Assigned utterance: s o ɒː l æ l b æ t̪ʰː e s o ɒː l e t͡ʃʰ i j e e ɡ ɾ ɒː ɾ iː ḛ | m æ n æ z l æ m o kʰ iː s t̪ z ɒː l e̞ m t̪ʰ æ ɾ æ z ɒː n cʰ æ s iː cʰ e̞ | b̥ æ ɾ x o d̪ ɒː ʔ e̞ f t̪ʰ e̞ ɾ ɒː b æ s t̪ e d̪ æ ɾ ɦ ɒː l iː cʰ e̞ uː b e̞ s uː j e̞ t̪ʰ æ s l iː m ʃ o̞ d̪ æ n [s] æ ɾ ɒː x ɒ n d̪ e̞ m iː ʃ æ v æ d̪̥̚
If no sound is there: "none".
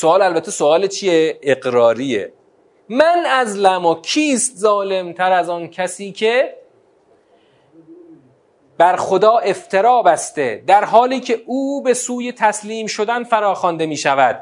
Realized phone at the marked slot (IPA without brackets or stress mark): f